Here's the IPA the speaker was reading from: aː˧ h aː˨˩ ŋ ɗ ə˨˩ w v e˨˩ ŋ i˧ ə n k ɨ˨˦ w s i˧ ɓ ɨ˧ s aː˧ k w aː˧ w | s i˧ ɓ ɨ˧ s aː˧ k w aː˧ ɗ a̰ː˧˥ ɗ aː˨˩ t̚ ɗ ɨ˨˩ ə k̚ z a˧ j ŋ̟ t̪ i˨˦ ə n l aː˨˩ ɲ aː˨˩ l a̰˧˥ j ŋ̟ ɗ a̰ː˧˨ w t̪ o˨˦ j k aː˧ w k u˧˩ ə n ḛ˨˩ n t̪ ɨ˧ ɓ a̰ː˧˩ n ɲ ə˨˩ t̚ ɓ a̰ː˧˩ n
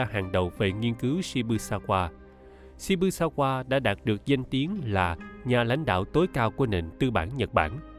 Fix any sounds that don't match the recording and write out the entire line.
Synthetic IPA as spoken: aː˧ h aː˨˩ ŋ ɗ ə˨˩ w v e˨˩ ŋ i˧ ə n k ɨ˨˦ w s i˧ ɓ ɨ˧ s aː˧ k w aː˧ | s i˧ ɓ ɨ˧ s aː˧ k w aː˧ ɗ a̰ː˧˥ ɗ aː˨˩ t̚ ɗ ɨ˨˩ ə k̚ z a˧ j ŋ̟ t̪ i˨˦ ə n l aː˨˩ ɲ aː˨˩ l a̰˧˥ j ŋ̟ ɗ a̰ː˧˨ w t̪ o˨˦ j k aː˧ w k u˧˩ ə n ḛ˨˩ n t̪ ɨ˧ ɓ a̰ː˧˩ n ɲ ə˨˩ t̚ ɓ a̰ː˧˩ n